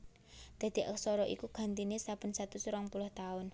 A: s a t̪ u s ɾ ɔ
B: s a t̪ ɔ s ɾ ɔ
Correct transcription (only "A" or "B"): A